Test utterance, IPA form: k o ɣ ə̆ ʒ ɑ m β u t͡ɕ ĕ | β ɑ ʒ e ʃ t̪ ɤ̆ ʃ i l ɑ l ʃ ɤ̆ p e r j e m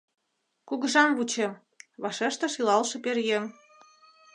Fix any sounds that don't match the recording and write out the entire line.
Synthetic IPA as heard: k u ɣ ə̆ ʒ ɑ m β u t͡ɕ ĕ | β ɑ ʃ e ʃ t̪ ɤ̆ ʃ i l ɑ l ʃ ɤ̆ p e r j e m